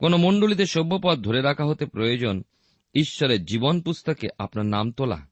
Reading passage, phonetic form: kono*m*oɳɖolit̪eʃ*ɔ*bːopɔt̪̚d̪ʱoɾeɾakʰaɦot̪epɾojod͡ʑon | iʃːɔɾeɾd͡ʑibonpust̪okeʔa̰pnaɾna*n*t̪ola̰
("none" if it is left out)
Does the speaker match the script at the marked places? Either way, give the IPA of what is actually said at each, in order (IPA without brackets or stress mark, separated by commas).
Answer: m, o, m